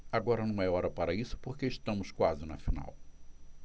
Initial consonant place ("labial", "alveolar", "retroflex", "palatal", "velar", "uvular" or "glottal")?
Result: velar